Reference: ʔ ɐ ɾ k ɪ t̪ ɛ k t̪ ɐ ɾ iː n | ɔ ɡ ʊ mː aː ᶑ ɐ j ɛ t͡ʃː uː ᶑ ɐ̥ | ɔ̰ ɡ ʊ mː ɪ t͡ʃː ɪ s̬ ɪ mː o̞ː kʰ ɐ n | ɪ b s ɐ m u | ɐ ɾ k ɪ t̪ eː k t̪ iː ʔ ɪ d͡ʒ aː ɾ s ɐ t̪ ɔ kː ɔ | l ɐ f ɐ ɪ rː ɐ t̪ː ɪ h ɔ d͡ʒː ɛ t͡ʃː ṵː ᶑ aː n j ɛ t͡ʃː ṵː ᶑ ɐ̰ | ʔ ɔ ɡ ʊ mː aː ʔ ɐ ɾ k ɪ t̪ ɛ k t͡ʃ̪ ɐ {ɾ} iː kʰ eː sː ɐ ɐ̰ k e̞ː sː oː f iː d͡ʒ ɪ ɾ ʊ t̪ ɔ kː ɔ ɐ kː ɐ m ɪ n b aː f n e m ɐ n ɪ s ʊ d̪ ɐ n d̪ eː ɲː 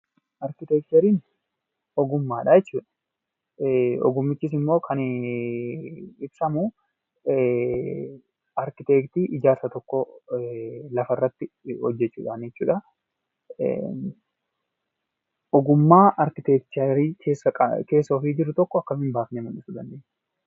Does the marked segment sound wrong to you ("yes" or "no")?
no